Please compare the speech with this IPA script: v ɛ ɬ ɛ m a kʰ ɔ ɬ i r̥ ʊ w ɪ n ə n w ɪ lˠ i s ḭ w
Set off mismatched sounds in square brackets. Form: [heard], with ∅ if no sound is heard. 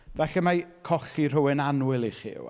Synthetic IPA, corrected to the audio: v ɛ ɬ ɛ m a kʰ ɔ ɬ i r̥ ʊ w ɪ n [a] n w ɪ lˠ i [χ] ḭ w